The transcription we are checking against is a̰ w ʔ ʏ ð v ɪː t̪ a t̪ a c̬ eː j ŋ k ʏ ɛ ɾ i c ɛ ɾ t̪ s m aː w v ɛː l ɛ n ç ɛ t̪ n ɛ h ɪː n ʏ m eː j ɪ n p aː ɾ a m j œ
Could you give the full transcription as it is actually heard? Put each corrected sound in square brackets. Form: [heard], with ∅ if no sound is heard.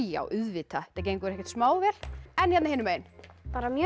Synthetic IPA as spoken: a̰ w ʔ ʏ ð v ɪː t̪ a t̪ a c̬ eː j ŋ k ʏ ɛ ɾ [ɛ] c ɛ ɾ t̪ s m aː w v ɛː l ɛ n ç ɛ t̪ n [a] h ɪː n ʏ m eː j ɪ n p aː ɾ a m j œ

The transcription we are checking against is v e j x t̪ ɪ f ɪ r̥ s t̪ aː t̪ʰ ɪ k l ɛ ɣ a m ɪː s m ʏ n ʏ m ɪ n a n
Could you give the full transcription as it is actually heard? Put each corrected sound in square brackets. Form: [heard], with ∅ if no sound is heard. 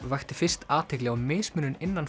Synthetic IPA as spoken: v [a] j x t̪ ɪ f ɪ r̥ s t̪ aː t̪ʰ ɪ k l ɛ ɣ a m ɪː s m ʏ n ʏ [n] ɪ [nː] a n

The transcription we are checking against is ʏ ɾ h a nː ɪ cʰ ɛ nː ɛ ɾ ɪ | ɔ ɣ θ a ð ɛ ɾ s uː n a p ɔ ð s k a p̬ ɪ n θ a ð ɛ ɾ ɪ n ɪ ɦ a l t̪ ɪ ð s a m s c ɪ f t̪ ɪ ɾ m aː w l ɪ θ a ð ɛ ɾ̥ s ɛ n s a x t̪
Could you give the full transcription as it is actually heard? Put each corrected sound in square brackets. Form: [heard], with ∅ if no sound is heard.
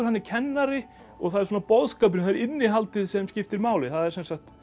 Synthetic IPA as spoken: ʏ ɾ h a nː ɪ cʰ ɛ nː [a] ɾ ɪ | ɔ ɣ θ a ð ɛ ɾ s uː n a p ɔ ð s k a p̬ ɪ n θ a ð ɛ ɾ ɪ [nː] ɪ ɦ a l t̪ ɪ ð s [ɛ] m s c ɪ f t̪ ɪ ɾ m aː w l ɪ θ a ð ɛ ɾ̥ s ɛ n s a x t̪

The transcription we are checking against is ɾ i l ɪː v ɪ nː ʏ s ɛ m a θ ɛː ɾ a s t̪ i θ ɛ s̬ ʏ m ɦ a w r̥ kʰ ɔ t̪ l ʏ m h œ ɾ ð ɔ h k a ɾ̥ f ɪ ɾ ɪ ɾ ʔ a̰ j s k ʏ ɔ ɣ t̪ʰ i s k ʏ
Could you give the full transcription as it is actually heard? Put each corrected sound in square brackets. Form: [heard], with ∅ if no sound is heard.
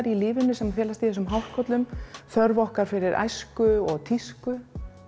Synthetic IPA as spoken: ɾ i l ɪː v ɪ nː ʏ s ɛ m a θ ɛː [l] a s t̪ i θ ɛ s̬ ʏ m ɦ a w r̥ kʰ ɔ t̪ l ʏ m [θ] œ ɾ [v] ɔ h k a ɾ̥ f ɪ ɾ ɪ ɾ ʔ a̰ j s k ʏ ɔ ɣ t̪ʰ i s k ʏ

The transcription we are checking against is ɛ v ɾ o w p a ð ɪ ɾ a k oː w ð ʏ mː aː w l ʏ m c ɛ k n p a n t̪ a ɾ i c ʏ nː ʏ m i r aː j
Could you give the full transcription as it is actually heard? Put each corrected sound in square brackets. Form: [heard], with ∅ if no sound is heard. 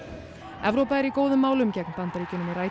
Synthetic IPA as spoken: ɛ v ɾ o w p a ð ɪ ɾ [i] k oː w ð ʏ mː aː w l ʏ m c ɛ k n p a n t̪ a ɾ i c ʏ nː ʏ m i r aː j

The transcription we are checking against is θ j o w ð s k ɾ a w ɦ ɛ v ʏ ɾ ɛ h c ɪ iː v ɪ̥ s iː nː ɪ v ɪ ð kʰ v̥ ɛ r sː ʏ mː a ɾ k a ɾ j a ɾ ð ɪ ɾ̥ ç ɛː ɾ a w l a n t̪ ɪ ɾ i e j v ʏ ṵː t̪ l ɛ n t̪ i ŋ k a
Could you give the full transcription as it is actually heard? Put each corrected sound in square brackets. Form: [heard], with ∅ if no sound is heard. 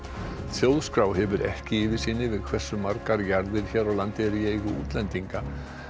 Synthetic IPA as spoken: θ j o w ð s k ɾ a w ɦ ɛ v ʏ ɾ ɛ h c ɪ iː v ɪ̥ s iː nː ɪ v ɪ ð kʰ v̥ ɛ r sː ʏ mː a ɾ k a ɾ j a ɾ ð ɪ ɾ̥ ç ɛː ɾ a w l a n t̪ ɪ ɾ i e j [ɣ] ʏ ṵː t̪ l ɛ n t̪ i ŋ k a

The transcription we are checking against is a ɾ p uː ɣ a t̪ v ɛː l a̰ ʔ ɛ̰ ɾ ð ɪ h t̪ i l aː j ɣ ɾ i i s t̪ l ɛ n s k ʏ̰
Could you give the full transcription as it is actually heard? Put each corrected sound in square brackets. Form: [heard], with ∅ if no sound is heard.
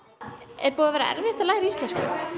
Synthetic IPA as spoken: [ɛ] ɾ p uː [ð] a [∅] v ɛː [ɾ] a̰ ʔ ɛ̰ ɾ [v] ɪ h t̪ [a] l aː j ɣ ɾ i i s t̪ l ɛ n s k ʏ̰

